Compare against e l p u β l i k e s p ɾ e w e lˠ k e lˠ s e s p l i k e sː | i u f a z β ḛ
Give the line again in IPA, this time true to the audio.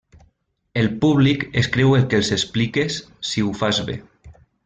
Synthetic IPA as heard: e l p u β l i k e s k ɾ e w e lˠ k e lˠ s e s p l i k e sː | i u f a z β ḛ